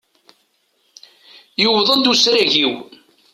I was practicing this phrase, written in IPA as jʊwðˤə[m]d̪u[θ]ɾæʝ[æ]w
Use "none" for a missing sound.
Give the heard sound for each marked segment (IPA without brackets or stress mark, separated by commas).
n, s, i